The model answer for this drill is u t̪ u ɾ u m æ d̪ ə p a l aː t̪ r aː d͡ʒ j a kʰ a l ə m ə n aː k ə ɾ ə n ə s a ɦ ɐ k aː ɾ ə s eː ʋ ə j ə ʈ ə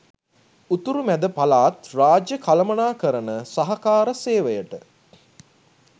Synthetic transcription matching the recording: u t̪ u ɾ u m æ d̪ ə p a l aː t̪ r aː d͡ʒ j ə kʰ a l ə m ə n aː k ə ɾ ə n ə s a ɦ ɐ k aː ɾ ə s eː ʋ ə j ə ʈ ə

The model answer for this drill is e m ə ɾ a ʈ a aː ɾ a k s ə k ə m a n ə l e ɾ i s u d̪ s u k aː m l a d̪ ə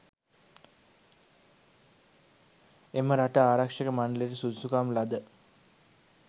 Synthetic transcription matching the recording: e m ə ɾ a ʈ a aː ɾ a k ʂ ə k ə m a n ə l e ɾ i s u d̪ s u k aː m l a d̪ ə

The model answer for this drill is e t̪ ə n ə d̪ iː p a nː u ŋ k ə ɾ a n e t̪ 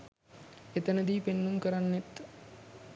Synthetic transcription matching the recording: e t̪ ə n ə d̪ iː p e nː u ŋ k ə ɾ a nː e t̪

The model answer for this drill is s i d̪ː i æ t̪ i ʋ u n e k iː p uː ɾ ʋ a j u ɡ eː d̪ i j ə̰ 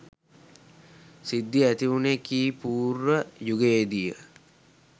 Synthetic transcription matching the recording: s i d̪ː i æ t̪ i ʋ u n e k iː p uː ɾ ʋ ə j u ɡ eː d̪ i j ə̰

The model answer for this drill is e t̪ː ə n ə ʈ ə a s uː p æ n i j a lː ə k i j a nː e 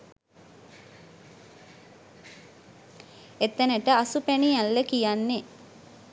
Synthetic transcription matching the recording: e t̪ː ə n ə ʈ ə a s u p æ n i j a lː ə k i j a nː e

